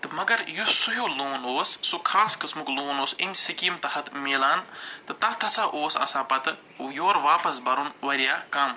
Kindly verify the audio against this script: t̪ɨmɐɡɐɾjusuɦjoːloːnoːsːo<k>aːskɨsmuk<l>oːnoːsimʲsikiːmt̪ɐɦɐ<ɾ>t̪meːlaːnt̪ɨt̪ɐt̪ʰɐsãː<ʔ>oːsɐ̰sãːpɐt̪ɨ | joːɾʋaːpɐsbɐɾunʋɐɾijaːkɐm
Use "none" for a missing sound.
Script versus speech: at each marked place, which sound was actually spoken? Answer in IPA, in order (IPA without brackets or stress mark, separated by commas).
kʰ, l, none, ʔ